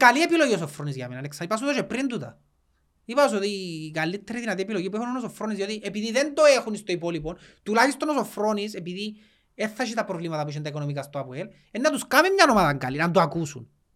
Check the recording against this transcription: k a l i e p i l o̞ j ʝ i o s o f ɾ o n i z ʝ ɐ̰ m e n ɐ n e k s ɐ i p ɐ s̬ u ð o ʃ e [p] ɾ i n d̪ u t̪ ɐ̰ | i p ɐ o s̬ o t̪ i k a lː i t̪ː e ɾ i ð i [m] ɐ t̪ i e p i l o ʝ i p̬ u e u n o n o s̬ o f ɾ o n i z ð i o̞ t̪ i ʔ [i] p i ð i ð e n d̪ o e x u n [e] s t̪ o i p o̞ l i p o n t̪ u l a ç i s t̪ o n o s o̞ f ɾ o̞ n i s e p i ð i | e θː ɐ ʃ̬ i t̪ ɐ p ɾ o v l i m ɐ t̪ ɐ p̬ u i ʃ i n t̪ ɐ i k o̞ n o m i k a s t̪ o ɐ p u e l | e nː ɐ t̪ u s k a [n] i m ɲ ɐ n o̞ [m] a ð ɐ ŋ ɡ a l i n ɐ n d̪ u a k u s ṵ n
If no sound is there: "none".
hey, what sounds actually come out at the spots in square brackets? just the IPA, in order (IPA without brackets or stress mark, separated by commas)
p, n, e, i, m, m